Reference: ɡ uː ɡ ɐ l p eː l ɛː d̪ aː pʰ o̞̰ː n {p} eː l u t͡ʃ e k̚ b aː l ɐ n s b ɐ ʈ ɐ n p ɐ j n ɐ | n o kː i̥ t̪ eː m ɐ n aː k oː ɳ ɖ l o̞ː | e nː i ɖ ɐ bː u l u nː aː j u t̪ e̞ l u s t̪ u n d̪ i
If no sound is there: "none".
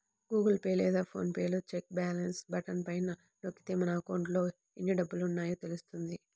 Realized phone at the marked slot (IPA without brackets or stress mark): p